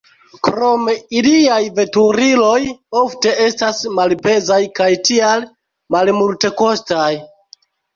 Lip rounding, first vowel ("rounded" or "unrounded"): rounded